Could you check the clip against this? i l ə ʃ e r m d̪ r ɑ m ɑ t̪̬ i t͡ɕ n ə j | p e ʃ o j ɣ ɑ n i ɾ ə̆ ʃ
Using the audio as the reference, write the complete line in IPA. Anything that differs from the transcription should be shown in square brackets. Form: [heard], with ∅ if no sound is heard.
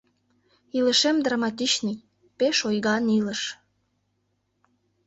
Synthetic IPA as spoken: i l ə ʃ e [∅] m d̪ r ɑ m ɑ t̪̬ i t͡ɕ n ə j | p e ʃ o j ɣ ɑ n i [l] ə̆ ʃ